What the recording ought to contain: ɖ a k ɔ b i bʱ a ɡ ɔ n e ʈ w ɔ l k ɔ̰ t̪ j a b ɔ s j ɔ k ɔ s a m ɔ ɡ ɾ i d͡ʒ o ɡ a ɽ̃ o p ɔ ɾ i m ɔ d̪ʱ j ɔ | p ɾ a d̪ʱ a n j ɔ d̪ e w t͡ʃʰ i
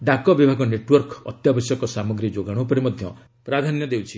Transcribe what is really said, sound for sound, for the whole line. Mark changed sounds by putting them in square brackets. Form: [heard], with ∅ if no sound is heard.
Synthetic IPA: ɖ a k ɔ b i bʱ a ɡ ɔ n e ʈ w ɔ [ɾ] k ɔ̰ t̪ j a b ɔ s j ɔ k ɔ s a m ɔ ɡ ɾ i d͡ʒ o ɡ a ɽ̃ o p ɔ ɾ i m ɔ d̪ʱ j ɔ | p ɾ a d̪ʱ a n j ɔ d̪ e w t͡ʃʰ i